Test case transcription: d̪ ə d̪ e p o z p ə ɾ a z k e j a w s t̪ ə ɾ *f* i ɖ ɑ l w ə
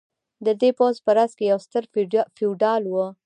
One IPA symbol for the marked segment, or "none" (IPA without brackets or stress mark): f